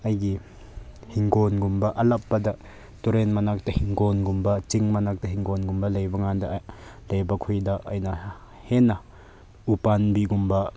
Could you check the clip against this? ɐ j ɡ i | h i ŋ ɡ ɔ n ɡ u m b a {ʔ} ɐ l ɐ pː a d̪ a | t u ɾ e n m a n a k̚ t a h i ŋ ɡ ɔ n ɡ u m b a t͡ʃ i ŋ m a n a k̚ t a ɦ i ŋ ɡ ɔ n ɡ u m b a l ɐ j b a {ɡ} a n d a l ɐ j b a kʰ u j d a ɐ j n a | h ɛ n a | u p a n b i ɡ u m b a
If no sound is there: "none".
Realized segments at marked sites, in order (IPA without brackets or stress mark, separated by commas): ʔ, ŋ